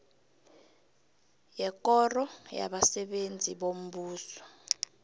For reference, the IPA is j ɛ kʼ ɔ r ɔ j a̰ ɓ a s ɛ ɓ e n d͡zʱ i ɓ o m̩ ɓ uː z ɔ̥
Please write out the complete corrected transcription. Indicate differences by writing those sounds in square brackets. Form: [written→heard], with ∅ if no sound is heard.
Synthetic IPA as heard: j ɛ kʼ ɔ r ɔ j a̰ ɓ a s ɛ ɓ e n d͡zʱ i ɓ o m̩ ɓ uː [z→s] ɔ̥

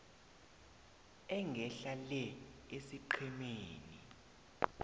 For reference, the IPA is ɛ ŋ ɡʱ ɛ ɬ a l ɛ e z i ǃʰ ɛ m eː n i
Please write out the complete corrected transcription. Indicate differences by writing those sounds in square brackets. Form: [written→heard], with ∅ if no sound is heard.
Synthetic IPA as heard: ɛ ŋ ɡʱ ɛ ɬ a l ɛ e [z→s] i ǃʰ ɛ m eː n i

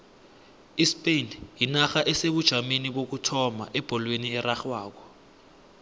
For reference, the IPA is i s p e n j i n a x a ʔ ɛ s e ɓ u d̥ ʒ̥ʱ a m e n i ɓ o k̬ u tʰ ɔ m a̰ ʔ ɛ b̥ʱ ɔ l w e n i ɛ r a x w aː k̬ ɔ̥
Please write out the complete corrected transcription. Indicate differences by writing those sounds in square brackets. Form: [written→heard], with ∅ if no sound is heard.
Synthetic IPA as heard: i s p e n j i n a x a ʔ ɛ s e ɓ u d̥ ʒ̥ʱ a m e n i ɓ o k̬ u tʰ ɔ m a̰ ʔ ɛ b̥ʱ ɔ l w e n i ɛ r a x w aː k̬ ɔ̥

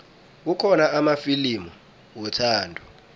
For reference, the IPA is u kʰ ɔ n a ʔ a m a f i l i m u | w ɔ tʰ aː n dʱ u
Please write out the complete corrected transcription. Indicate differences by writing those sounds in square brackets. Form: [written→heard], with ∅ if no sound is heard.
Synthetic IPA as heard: u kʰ ɔ n a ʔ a m a f i l i m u | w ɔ tʰ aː n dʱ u

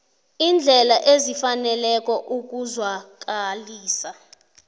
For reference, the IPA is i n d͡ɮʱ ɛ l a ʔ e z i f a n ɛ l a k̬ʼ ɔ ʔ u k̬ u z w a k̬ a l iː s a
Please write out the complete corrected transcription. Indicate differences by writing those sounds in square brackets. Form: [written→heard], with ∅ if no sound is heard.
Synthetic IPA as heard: i n d͡ɮʱ ɛ l a ʔ e z i f a n ɛ l [a→ɛ] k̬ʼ ɔ ʔ u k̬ u z w a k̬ a l iː s a

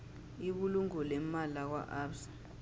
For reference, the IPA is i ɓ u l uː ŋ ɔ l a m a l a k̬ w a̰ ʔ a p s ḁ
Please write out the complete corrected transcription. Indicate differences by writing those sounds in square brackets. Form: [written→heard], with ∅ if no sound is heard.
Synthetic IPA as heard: i ɓ u l [uː→u] ŋ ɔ l [a→ɛ] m a l a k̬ w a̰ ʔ a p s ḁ

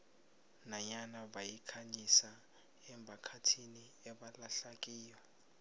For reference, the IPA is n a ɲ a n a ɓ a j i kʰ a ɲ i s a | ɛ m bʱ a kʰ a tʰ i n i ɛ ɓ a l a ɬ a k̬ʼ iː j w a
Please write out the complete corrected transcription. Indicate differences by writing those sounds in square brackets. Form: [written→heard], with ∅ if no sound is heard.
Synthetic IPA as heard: n a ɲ a n a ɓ a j i kʰ a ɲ i s a | ɛ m bʱ a kʰ a tʰ i n i ɛ ɓ a l a ɬ a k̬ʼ iː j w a

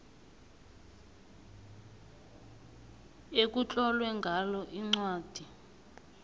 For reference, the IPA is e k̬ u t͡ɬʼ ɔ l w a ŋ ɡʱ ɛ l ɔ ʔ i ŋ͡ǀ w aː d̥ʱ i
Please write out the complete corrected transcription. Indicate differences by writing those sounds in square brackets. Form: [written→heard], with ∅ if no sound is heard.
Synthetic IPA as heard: e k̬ u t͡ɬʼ ɔ l w [a→ɛ] ŋ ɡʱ [ɛ→a] l ɔ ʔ i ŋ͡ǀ w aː d̥ʱ i

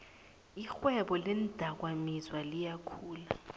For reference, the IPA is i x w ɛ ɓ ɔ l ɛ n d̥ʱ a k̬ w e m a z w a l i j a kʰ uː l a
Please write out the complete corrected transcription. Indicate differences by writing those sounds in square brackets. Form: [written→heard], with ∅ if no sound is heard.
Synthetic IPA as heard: i x w ɛ ɓ ɔ l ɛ n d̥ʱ a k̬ w [e→a] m [a→i] z w a l i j a kʰ uː l a

